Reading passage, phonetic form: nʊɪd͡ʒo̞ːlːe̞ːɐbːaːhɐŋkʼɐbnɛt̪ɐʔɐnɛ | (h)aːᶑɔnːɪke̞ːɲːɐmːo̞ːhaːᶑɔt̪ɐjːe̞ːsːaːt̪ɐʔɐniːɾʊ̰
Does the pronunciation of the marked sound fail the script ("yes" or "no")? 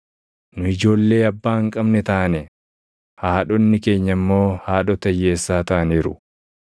no